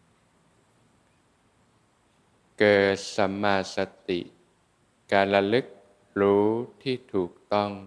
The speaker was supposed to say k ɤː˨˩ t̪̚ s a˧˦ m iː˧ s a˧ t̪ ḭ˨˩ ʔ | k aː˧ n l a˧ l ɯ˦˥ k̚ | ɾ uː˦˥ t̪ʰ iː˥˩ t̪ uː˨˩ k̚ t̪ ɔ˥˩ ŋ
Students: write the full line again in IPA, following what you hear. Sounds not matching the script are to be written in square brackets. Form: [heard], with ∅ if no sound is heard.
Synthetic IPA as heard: k ɤː˨˩ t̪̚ s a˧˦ m [aː˧] s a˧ t̪ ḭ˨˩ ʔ | k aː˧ n l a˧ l ɯ˦˥ k̚ | ɾ uː˦˥ t̪ʰ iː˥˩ [t̪ʰ] uː˨˩ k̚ t̪ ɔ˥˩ ŋ